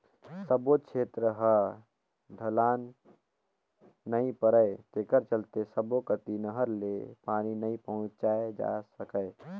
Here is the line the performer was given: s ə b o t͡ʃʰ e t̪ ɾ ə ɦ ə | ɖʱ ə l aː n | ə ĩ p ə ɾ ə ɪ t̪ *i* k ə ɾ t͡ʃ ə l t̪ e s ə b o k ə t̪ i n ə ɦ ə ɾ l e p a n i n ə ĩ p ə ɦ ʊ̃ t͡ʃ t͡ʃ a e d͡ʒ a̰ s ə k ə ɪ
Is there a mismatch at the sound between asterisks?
yes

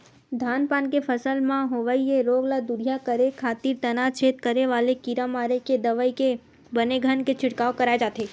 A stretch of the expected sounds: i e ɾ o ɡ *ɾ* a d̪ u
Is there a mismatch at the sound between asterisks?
yes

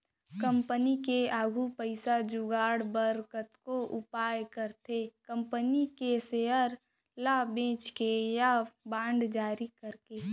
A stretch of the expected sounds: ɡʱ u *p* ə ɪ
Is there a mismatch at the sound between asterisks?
no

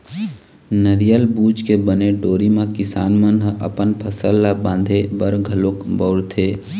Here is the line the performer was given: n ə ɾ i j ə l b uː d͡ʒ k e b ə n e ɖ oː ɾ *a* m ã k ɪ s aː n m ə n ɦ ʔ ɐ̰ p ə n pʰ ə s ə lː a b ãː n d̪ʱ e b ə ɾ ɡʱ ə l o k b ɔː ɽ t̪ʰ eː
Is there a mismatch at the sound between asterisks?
yes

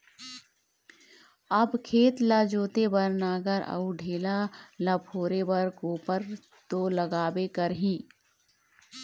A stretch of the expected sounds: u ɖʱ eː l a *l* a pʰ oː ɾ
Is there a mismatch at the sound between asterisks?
no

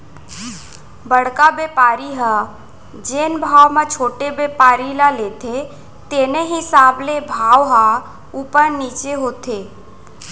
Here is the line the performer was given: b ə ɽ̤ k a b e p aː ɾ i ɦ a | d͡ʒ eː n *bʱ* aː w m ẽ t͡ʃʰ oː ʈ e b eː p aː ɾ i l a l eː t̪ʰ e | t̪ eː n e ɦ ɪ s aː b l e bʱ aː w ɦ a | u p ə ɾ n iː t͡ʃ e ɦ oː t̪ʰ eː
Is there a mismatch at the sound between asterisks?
no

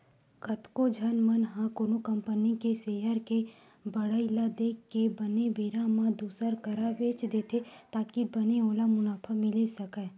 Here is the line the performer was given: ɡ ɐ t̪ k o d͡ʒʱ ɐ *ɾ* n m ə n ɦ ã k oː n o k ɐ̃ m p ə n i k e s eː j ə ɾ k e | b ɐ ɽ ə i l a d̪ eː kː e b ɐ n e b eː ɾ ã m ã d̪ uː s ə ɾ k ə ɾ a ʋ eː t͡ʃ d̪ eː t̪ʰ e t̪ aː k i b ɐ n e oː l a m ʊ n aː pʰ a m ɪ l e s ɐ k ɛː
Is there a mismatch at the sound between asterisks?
yes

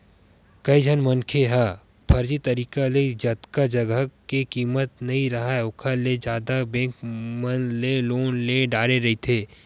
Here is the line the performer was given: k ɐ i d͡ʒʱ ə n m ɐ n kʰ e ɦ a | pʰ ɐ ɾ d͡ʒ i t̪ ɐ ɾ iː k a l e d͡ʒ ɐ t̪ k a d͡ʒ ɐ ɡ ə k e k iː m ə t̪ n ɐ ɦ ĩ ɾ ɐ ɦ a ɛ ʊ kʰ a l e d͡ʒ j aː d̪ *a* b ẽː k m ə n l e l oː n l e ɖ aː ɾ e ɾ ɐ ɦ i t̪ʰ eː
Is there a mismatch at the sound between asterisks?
no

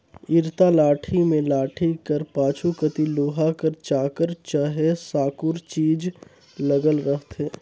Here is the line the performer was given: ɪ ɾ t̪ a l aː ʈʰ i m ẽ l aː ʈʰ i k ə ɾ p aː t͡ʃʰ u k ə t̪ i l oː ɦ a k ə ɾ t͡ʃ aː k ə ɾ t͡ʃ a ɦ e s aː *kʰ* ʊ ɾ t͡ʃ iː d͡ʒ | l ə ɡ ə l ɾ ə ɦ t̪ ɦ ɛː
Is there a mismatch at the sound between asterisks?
yes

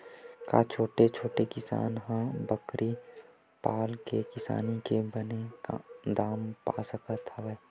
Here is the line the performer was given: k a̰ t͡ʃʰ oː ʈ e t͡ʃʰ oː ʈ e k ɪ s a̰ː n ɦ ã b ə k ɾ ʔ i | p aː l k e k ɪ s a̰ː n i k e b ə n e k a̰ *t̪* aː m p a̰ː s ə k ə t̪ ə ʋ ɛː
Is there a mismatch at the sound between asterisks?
yes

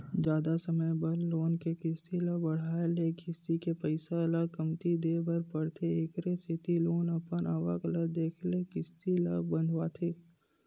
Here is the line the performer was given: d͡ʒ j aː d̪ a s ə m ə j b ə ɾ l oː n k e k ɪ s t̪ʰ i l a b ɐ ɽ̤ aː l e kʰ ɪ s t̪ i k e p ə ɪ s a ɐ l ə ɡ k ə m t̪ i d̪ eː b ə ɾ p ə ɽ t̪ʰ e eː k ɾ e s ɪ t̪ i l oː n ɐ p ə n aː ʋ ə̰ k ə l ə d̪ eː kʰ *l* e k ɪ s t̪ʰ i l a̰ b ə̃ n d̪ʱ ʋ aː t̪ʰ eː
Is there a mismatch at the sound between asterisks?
no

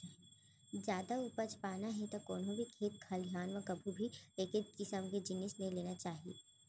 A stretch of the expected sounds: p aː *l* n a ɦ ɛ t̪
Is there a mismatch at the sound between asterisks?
yes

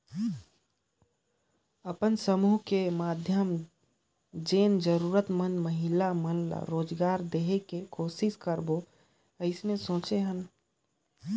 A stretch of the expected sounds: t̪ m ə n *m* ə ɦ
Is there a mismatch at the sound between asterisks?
no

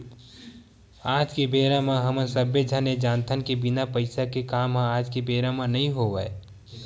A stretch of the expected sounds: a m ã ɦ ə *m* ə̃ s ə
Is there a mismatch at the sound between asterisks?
no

